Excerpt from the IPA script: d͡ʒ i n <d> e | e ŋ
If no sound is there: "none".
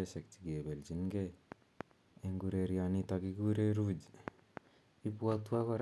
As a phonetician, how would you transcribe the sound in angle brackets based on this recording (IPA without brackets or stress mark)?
ɡ